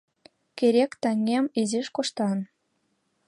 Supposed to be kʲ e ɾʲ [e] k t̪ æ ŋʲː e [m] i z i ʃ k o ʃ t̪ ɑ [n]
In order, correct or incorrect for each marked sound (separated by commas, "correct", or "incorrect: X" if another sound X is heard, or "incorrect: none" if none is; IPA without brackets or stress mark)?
correct, correct, correct